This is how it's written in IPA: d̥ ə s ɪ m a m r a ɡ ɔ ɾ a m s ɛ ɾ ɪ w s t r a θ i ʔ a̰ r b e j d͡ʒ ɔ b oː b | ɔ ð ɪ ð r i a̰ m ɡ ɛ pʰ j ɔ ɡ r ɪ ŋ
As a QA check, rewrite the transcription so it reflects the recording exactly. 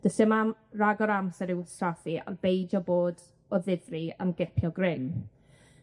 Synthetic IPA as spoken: d̥ ə s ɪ m a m r a ɡ ɔ ɾ a m s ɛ ɾ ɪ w s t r a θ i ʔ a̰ r b e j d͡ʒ ɔ b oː d | ɔ ð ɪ ð r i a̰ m ɡ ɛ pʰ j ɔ ɡ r ɪ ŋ